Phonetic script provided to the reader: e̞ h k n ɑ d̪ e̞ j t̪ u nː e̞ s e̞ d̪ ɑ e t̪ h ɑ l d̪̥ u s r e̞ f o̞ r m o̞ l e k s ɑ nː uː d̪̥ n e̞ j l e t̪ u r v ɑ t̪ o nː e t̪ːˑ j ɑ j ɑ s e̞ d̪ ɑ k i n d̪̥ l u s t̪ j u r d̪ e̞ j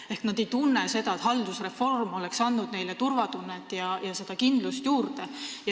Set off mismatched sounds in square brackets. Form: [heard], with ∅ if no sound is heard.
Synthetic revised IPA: e̞ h k n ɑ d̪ e̞ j t̪ u nː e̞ s e̞ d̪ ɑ e t̪ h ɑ l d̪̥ u s r e̞ f o̞ r m o̞ l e k s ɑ nː [u] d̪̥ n e̞ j l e t̪ u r v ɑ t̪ [u] nː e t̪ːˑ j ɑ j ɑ s e̞ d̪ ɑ k i n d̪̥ l u s t̪ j [uː] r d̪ e̞ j